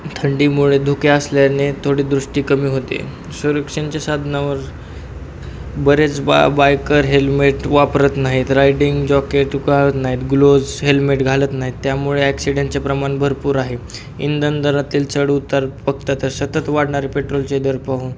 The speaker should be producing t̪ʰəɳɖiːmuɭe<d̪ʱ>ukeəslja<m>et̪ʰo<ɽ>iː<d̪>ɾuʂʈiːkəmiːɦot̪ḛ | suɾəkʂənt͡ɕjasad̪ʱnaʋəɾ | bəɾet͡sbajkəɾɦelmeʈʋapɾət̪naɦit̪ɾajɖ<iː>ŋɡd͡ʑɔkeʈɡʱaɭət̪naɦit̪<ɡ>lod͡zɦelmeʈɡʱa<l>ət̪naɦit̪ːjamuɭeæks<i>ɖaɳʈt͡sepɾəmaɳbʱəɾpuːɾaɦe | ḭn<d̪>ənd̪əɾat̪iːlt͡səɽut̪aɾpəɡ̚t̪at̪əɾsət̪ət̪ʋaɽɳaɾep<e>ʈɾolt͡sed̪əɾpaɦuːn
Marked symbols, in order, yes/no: yes, no, yes, yes, no, yes, yes, yes, yes, yes

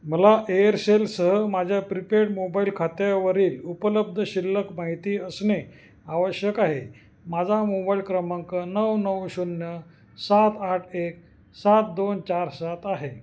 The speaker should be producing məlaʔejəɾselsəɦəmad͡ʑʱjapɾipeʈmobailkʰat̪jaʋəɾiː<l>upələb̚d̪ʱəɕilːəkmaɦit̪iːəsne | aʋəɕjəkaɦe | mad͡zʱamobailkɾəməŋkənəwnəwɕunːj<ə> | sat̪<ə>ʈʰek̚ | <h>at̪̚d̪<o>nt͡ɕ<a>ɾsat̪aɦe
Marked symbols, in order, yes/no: yes, yes, no, no, yes, yes

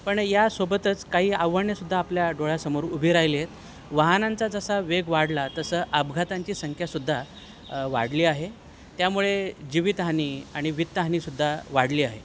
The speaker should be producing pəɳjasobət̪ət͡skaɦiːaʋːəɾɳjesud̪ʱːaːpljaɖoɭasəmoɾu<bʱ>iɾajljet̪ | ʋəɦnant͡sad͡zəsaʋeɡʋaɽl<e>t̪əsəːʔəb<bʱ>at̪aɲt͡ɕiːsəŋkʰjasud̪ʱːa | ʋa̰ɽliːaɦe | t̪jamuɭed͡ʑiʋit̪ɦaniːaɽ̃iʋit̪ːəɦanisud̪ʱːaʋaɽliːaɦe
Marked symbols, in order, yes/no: yes, no, no

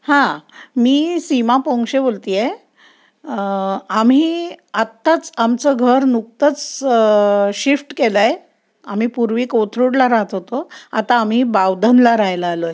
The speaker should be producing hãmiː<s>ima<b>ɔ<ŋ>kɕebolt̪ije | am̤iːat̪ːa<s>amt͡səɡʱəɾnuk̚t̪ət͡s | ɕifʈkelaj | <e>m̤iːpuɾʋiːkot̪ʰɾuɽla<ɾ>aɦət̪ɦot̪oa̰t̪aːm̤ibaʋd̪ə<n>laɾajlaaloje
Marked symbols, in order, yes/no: yes, no, yes, no, no, yes, yes

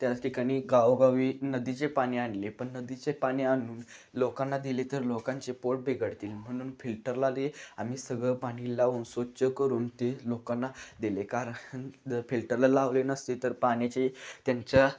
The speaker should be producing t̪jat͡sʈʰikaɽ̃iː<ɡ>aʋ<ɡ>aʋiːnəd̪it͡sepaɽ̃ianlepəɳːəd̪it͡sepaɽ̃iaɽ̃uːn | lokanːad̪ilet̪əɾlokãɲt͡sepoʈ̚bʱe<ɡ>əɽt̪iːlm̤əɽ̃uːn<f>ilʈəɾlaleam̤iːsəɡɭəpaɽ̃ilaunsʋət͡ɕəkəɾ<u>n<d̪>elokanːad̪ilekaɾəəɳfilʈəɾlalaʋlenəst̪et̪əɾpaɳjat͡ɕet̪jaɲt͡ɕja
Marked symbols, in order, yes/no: yes, yes, yes, yes, no, no

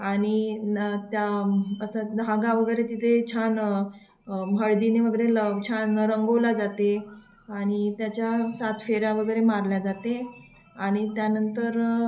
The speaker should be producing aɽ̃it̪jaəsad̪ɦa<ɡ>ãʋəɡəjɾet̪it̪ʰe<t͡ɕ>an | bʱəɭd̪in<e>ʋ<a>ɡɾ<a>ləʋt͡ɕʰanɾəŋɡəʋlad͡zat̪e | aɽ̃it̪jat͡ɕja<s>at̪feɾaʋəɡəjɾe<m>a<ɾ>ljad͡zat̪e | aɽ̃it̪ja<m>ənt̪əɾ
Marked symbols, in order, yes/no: yes, no, yes, no, no, yes, yes, yes, no

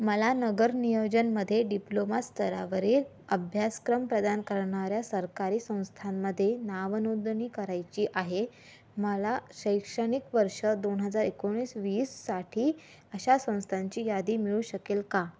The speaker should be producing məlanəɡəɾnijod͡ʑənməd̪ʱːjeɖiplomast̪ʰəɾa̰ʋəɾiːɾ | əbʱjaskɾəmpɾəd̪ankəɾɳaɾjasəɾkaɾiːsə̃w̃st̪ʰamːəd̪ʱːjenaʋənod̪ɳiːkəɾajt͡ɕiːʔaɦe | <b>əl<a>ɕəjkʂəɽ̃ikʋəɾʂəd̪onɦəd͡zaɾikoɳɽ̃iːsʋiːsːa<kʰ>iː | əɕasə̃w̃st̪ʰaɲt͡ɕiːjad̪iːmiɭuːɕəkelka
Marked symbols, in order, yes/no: no, yes, no

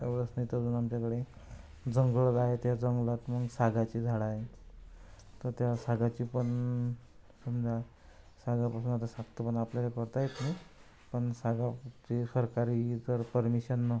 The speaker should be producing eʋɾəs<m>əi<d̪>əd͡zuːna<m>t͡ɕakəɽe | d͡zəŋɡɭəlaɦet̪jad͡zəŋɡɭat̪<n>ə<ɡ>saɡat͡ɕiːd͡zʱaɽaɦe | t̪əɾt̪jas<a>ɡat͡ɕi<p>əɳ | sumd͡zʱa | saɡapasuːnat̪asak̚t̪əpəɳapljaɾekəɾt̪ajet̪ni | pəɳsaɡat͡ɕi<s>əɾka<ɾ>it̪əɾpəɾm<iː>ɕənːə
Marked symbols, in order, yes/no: no, no, yes, no, yes, yes, yes, yes, yes, no

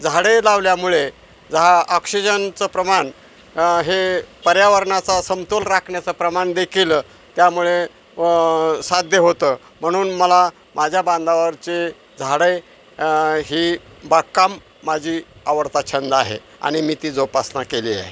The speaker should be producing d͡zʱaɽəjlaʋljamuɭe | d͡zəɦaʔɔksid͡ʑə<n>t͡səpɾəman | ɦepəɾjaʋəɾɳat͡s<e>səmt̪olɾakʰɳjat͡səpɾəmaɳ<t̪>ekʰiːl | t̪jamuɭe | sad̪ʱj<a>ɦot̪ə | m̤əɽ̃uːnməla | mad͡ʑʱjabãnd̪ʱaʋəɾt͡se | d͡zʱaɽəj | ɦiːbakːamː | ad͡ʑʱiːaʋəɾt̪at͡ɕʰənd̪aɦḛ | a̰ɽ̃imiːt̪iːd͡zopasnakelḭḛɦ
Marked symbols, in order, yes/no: yes, no, no, no

